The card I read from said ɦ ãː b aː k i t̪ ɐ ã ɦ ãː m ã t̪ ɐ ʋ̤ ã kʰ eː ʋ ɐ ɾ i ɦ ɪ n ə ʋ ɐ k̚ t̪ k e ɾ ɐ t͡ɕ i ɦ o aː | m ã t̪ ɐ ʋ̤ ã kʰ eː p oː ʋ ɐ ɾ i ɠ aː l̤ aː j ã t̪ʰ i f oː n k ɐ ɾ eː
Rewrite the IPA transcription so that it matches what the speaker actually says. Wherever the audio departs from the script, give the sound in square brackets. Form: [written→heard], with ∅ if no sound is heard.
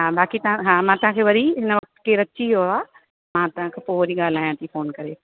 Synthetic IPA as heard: ɦ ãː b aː k i t̪ ɐ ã ɦ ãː m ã t̪ ɐ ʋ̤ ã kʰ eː ʋ ɐ ɾ i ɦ ɪ n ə ʋ ɐ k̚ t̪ k e ɾ ɐ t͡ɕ i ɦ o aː | m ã t̪ ɐ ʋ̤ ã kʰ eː p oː ʋ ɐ ɾ i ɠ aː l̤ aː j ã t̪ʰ i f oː n k ɐ ɾ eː

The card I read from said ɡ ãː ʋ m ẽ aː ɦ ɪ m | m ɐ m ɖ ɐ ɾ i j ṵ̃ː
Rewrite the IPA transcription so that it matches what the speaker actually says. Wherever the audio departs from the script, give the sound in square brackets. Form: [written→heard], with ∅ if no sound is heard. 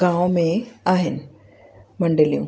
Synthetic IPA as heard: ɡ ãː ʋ m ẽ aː ɦ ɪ [m→n] | m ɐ [m→ɳ] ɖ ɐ [ɾ→l] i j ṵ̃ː

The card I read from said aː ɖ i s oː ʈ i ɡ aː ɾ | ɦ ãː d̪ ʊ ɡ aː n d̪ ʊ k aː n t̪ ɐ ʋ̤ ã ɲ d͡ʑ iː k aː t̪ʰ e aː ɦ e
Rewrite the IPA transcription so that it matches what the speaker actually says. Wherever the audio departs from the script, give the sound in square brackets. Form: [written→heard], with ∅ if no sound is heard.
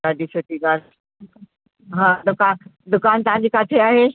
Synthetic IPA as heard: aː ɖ i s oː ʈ i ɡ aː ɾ | ɦ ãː d̪ ʊ [ɡ→k] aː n d̪ ʊ k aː n t̪ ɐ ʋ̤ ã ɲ d͡ʑ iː k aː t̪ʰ e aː ɦ e

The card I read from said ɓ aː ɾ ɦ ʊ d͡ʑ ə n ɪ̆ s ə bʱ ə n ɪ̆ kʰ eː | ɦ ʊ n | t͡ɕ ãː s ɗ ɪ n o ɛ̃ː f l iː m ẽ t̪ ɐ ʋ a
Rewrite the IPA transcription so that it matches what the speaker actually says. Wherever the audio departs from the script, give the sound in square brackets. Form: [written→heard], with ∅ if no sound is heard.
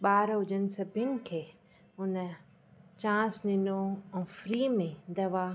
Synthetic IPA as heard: ɓ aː ɾ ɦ ʊ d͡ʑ ə n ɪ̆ s [ə→ɐ] bʱ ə n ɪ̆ kʰ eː | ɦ ʊ n | t͡ɕ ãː s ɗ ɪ n o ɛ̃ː f [l→ɾ] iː m ẽ [t̪→d̪] ɐ ʋ a

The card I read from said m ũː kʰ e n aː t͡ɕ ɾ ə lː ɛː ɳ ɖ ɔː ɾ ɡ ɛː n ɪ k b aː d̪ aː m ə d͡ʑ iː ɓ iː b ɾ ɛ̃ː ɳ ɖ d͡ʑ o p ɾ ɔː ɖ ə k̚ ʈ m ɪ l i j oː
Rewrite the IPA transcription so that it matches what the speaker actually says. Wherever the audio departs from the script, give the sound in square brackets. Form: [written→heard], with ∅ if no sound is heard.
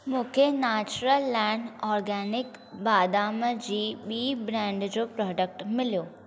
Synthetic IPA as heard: m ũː kʰ e n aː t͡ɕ ɾ ə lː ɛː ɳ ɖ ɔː ɾ ɡ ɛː n ɪ k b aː d̪ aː m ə d͡ʑ iː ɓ iː b ɾ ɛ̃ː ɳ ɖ d͡ʑ o p ɾ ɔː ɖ ə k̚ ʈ m ɪ l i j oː

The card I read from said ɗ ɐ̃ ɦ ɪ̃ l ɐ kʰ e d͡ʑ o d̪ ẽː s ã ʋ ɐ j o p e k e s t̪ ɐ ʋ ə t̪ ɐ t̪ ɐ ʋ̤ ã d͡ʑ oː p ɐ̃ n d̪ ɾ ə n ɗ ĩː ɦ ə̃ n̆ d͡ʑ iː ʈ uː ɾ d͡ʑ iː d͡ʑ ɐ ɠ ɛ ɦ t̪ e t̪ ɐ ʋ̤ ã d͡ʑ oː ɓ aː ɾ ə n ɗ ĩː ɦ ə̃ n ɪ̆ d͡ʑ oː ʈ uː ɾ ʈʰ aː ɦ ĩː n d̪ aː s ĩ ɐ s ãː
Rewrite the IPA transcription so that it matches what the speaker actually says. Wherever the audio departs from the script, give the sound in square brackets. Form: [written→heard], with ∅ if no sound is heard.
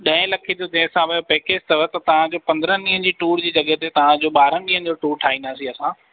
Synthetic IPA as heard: ɗ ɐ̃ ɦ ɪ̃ l ɐ kʰ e d͡ʑ o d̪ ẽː s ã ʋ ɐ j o p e k e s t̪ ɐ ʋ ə t̪ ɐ t̪ ɐ ʋ̤ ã d͡ʑ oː p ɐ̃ n d̪ ɾ ə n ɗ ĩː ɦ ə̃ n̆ d͡ʑ iː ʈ uː ɾ d͡ʑ iː d͡ʑ ɐ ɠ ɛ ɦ t̪ e t̪ ɐ ʋ̤ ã d͡ʑ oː ɓ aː ɾ ə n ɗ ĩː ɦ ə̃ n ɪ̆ d͡ʑ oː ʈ uː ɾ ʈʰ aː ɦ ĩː n d̪ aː s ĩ ɐ s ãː

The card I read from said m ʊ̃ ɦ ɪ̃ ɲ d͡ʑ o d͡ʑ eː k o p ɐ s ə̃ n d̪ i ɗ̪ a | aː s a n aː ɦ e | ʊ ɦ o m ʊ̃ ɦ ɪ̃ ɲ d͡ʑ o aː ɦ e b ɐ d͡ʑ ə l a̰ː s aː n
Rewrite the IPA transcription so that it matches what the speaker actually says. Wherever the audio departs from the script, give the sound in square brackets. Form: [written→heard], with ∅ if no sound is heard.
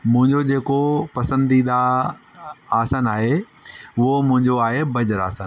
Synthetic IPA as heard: m ʊ̃ ɦ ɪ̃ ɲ d͡ʑ o d͡ʑ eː k o p ɐ s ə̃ n d̪ i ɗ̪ a | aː s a n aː ɦ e | ʊ ɦ o m ʊ̃ ɦ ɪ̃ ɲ d͡ʑ o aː ɦ e b ɐ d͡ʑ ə [l→ɾ] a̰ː s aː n

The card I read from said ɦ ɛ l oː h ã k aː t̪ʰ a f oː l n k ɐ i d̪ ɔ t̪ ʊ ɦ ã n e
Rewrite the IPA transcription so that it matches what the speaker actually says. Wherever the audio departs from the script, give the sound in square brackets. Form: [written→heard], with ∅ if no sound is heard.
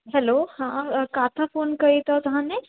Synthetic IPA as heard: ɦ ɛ l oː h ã k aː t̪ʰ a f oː [l→∅] n k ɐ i [d̪→t̪] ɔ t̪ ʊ ɦ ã n e

